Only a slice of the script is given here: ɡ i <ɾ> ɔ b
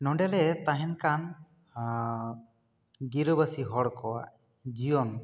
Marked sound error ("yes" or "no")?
no